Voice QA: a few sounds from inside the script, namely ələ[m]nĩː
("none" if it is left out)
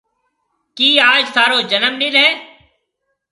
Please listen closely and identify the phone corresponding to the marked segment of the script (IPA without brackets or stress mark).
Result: m